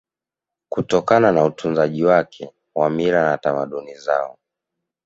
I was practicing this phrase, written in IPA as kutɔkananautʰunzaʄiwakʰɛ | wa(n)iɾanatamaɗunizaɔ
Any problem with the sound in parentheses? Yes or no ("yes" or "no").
yes